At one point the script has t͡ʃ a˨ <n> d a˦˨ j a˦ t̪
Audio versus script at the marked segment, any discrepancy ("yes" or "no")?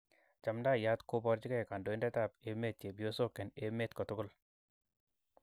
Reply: yes